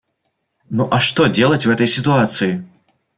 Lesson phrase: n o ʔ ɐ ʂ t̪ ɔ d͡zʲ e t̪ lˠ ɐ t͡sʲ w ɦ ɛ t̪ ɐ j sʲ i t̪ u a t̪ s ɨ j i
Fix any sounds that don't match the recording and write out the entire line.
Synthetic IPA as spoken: n u ʔ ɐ ʂ t̪ ɔ d͡zʲ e lˠ ɐ t͡sʲ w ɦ ɛ t̪ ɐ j sʲ i t̪ u a t̪ s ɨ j i